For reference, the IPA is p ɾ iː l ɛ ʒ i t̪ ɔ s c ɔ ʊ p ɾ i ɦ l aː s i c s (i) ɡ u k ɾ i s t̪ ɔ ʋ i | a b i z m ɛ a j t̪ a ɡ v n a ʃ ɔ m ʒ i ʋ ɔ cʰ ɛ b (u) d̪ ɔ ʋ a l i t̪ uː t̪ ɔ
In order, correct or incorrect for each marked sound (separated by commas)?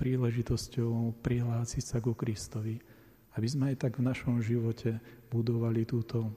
incorrect, correct